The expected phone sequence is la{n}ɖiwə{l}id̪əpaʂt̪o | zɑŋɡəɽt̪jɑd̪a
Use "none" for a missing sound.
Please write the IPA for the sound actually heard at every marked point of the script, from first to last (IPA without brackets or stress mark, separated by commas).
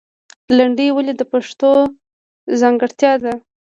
ɳ, l